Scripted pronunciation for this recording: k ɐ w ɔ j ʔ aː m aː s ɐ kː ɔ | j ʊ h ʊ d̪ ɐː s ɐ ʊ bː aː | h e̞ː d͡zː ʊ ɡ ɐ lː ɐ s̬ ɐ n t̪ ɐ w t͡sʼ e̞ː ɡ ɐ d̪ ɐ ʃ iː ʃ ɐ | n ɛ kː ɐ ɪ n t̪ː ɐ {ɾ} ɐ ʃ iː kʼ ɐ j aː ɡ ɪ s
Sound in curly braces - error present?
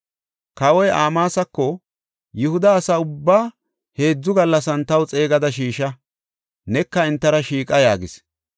no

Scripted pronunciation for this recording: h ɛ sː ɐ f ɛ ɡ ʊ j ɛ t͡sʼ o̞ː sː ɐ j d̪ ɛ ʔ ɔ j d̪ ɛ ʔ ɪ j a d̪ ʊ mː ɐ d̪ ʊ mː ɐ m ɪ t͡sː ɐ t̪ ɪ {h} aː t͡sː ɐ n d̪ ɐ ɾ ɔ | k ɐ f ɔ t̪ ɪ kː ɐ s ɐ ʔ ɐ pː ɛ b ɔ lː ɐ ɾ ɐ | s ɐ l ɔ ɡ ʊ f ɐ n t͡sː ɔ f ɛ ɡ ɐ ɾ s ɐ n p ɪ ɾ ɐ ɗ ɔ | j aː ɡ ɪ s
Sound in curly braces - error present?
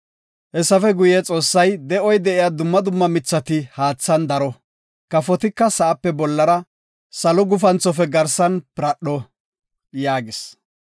no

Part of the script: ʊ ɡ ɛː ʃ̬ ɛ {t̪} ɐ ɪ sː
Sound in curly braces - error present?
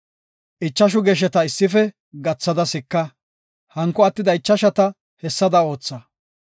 no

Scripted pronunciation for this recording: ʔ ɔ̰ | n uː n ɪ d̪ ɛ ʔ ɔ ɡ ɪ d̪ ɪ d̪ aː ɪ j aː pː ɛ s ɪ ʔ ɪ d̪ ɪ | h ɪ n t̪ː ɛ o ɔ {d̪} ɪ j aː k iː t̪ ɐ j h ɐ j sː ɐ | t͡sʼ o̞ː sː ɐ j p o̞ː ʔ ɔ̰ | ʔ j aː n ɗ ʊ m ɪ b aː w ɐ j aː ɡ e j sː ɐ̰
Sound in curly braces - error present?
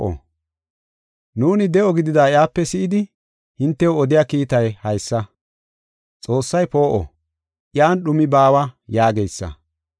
no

